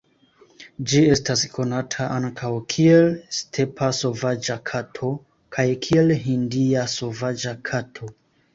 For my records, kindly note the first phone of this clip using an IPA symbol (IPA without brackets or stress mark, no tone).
d͡ʒ